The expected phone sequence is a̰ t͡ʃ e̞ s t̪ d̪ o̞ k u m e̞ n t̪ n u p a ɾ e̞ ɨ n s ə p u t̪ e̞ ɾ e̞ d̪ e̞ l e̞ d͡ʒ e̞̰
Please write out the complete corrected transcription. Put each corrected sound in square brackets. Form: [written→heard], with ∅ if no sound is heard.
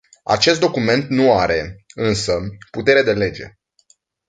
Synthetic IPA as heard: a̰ t͡ʃ e̞ s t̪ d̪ o̞ k u m e̞ n t̪ n u [p→∅] a ɾ e̞ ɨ n s ə p u t̪ e̞ ɾ e̞ d̪ e̞ l e̞ d͡ʒ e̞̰